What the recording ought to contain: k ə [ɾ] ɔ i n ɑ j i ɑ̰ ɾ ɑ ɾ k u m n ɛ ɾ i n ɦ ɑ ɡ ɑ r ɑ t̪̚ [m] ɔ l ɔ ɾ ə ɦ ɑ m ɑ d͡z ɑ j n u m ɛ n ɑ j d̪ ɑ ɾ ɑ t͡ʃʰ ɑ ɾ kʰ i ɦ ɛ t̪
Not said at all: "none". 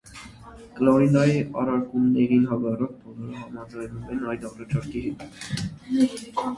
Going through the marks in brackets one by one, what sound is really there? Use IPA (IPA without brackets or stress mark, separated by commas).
l, b